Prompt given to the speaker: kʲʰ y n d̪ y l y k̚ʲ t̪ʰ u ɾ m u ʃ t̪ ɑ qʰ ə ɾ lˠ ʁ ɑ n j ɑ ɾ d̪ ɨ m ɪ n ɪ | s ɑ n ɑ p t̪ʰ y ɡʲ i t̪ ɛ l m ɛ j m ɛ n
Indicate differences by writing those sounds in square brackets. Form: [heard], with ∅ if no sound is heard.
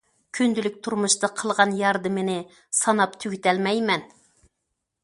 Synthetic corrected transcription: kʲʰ y n d̪ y l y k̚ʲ t̪ʰ u ɾ m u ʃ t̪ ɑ qʰ ə [∅] lˠ ʁ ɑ n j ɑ ɾ d̪ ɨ m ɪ n ɪ | s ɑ n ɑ p t̪ʰ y ɡʲ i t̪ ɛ l m ɛ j m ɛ n